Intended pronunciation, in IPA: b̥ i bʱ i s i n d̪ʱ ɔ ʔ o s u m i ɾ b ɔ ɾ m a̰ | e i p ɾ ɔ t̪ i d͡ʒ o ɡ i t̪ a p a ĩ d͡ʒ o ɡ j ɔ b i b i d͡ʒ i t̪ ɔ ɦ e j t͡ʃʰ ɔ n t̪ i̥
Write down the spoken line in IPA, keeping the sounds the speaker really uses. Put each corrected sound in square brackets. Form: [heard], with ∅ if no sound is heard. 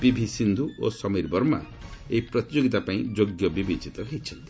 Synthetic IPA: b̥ i bʱ i s i n d̪ʱ [u] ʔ o s [ɔ] m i ɾ b ɔ ɾ m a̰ | e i p ɾ ɔ t̪ i d͡ʒ o ɡ i t̪ a p a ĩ d͡ʒ o ɡ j ɔ b i b i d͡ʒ i t̪ ɔ ɦ e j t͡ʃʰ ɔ n t̪ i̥